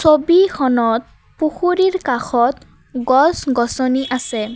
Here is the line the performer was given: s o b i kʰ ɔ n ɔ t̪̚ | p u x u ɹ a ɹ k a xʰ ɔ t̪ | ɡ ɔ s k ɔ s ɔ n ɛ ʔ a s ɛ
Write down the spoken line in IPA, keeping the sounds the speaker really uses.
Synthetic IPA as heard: s o b i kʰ ɔ n ɔ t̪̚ | p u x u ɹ i ɹ k a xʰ ɔ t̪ | ɡ ɔ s ɡ ɔ s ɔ n i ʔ a s ɛ